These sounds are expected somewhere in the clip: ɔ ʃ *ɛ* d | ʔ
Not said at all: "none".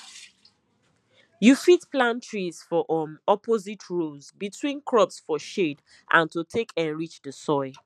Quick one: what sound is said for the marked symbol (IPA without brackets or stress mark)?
e